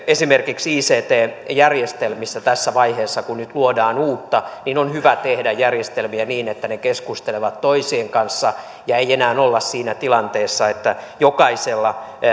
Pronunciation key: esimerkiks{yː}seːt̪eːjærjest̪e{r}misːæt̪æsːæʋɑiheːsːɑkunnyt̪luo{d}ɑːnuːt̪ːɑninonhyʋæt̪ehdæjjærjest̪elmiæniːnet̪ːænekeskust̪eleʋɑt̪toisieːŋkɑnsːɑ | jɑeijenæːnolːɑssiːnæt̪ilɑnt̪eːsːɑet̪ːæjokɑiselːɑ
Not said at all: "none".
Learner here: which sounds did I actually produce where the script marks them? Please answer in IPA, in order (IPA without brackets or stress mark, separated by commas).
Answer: iː, l, d